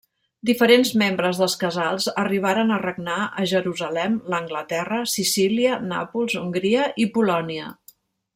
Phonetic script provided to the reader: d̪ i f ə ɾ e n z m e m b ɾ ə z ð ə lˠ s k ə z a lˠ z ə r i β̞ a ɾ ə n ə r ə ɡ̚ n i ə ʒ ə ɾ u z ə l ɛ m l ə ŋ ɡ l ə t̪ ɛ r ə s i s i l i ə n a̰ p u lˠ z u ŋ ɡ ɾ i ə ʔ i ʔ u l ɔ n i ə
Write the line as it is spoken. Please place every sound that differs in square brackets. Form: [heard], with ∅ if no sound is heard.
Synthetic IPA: d̪ i f ə ɾ e n z m e m b ɾ ə z ð ə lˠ s k ə z a lˠ z ə r i β̞ a ɾ ə n ə r ə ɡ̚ n [a] ə ʒ ə ɾ u z ə l ɛ m l ə ŋ ɡ l ə t̪ ɛ r ə s i s i l i ə n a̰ p u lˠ z u ŋ ɡ ɾ i ə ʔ i [p] u l ɔ n i ə

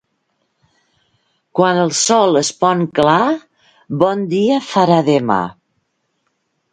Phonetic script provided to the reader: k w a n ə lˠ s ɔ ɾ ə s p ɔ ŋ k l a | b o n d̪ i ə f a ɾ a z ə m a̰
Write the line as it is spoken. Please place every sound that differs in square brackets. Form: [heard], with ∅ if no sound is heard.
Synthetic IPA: k w a n ə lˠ s ɔ [l] ə s p ɔ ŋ k l a | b [ɔ] n d̪ i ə f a ɾ a [ð] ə m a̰

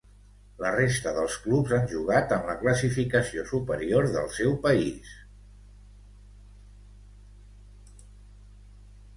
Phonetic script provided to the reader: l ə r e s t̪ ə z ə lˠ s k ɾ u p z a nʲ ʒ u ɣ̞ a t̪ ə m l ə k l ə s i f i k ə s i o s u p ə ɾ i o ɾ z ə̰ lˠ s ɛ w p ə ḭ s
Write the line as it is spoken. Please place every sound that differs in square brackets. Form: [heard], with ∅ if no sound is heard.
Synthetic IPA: l ə r e s t̪ ə [ð] ə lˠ s k [l] u p z a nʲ ʒ u ɣ̞ a t̪ ə m l ə k l ə s i f i k ə s i o s u p ə ɾ i o ɾ [ð] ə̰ lˠ s ɛ w p ə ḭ s

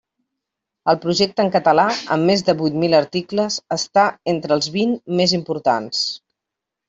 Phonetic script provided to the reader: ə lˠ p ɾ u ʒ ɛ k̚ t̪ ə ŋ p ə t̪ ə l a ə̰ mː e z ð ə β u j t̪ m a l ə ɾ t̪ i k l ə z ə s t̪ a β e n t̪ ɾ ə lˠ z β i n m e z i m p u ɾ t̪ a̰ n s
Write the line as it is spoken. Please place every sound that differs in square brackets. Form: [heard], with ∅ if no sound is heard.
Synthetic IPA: ə lˠ p ɾ u ʒ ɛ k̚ t̪ ə ŋ [k] ə t̪ ə l a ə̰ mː e z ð ə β u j t̪ m [i] l ə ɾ t̪ i k l ə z ə s t̪ a [∅] e n t̪ ɾ ə lˠ z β i n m e z i m p u ɾ t̪ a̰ n s

